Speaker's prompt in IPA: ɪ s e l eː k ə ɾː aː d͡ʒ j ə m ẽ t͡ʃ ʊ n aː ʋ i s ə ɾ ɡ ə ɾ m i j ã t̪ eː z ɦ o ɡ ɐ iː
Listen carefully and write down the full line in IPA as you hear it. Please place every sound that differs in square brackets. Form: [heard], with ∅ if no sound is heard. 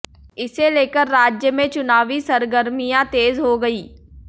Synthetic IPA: ɪ s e l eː k ə ɾː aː d͡ʒ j ə m ẽ t͡ʃ ʊ n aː ʋ i s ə ɾ ɡ ə ɾ m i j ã t̪ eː z ɦ o ɡ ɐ iː